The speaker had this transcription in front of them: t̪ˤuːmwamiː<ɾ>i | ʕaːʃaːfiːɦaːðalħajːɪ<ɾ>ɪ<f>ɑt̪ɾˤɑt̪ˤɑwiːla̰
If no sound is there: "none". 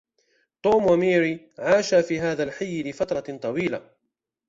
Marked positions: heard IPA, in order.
ɾ, l, f

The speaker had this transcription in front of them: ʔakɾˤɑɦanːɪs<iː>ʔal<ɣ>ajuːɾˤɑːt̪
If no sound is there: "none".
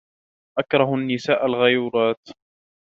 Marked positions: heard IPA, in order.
aː, ɣ

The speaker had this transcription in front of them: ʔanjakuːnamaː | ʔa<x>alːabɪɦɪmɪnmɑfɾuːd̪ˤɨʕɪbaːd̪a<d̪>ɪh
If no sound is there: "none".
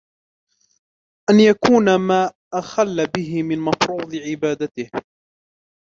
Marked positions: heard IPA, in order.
x, t̪

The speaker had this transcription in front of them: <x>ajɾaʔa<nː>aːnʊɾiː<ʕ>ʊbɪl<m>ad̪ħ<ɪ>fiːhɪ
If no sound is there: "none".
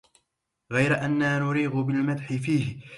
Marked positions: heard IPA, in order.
ɣ, nː, ɣ, m, ɪ

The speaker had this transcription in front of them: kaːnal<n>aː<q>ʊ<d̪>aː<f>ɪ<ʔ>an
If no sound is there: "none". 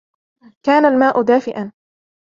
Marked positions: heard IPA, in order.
m, ʔ, d̪, f, ʔ

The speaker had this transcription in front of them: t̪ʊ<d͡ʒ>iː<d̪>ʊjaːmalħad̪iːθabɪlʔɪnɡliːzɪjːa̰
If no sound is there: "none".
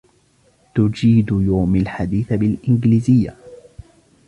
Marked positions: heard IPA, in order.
d͡ʒ, d̪

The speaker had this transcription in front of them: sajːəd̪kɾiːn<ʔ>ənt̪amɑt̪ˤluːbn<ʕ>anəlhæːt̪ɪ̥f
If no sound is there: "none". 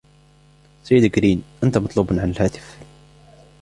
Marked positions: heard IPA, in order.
ʔ, ʕ

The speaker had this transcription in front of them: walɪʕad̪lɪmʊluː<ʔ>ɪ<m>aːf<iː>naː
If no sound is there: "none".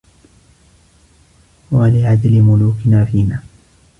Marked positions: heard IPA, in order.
k, n, iː

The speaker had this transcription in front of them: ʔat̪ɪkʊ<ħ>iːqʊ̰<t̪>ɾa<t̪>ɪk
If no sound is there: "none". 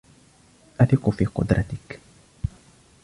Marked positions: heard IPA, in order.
f, d̪, t̪

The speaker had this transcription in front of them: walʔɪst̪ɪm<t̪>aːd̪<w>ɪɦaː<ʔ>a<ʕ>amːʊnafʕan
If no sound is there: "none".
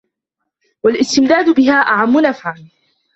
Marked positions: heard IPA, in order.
d̪, b, ʔ, ʕ

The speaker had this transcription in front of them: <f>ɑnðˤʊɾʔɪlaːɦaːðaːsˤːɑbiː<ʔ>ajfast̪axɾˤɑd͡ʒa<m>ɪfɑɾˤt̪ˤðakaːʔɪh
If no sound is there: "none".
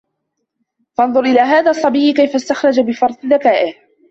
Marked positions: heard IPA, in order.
f, k, b

